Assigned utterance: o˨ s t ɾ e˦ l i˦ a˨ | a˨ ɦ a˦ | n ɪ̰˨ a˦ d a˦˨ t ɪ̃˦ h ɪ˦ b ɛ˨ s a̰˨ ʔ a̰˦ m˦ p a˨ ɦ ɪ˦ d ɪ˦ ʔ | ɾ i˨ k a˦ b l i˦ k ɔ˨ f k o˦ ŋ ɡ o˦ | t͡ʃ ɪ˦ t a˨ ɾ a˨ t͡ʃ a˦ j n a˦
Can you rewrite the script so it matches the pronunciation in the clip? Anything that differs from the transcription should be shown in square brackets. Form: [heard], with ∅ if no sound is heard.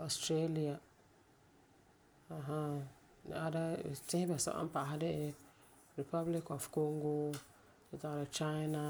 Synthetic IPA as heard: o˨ s t ɾ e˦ l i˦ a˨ | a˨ ɦ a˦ | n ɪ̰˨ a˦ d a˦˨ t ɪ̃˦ h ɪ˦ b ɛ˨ s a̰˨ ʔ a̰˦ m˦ p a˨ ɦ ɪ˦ d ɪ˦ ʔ | ɾ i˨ [p] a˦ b l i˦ k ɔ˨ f k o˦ ŋ ɡ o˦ | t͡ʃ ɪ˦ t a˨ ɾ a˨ t͡ʃ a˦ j n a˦